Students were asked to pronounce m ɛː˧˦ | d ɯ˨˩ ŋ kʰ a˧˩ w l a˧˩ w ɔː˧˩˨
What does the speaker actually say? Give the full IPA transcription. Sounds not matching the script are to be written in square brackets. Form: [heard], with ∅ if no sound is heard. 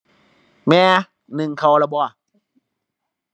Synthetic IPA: m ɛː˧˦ | [n] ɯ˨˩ ŋ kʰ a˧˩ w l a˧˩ [b] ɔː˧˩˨

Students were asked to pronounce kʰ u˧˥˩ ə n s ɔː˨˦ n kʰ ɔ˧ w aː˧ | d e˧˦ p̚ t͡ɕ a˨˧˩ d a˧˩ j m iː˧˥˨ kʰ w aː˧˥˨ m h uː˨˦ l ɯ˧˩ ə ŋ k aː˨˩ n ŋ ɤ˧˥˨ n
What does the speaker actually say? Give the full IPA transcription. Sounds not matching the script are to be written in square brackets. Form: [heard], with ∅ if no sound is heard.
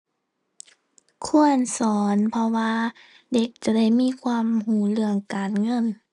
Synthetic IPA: kʰ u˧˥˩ ə n s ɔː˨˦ n [pʰ] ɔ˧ w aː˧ | d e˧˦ [k̚] t͡ɕ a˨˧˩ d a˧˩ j m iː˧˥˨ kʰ w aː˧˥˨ m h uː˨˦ l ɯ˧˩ ə ŋ k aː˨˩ n ŋ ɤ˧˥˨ n

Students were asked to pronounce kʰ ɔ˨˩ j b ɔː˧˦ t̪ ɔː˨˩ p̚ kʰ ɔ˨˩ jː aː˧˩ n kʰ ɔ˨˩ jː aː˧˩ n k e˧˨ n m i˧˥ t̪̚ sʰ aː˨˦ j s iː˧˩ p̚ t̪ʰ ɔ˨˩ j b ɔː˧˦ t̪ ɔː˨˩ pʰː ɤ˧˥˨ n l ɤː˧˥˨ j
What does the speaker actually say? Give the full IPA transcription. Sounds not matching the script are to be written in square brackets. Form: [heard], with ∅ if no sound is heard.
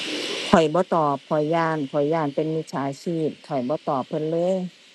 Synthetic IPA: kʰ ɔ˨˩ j b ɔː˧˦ t̪ ɔː˨˩ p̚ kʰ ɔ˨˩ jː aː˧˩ n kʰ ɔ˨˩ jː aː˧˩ n [p] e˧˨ n m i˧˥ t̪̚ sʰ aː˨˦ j s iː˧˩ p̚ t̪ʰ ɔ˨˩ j b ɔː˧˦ t̪ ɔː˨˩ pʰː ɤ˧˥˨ n l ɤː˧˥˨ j

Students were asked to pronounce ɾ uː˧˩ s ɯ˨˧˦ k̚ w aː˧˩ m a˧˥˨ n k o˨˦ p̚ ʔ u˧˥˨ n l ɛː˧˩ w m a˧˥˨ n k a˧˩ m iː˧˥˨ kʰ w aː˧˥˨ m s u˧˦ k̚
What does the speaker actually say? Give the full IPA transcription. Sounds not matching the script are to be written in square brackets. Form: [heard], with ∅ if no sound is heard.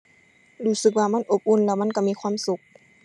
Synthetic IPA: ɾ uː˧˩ s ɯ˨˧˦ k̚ w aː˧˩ m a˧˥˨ n [ʔ] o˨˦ p̚ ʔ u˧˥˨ n l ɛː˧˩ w m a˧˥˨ n k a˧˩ m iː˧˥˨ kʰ w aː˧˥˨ m s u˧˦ k̚

